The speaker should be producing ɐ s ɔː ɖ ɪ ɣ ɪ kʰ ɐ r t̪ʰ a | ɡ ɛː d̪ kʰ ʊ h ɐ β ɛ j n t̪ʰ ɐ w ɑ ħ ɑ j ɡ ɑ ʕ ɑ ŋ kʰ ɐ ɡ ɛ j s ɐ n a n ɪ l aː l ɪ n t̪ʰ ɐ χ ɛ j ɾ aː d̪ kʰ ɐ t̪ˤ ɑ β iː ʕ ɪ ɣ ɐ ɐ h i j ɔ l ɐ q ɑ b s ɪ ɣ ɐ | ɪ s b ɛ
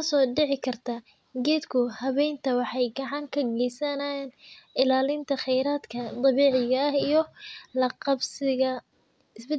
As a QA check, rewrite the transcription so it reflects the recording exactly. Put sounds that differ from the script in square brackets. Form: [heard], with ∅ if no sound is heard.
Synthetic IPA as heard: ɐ s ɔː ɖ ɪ [ʕ] ɪ kʰ ɐ r t̪ʰ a | ɡ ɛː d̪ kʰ ʊ h ɐ β ɛ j n t̪ʰ ɐ w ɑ ħ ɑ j ɡ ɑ ʕ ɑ ŋ kʰ ɐ ɡ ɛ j s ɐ n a n ɪ l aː l ɪ n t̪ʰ ɐ χ ɛ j ɾ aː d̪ kʰ ɐ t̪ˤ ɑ β iː ʕ ɪ ɣ ɐ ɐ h i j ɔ l ɐ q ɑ b s ɪ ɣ ɐ | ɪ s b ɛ